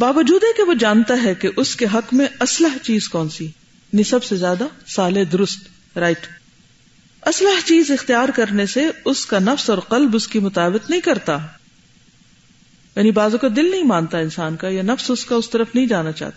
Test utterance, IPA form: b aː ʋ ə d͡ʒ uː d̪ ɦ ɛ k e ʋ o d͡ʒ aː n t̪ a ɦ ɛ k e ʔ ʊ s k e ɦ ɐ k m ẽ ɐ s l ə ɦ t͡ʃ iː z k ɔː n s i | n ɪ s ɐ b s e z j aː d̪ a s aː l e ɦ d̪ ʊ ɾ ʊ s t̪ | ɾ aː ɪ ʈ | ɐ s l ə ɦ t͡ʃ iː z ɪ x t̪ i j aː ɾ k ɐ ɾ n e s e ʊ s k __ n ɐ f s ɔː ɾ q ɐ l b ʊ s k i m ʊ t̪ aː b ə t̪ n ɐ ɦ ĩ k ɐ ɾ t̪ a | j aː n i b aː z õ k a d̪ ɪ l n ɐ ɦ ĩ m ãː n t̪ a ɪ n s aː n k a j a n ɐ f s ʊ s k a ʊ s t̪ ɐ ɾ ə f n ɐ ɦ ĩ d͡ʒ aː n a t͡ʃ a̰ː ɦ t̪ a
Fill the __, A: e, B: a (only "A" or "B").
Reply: B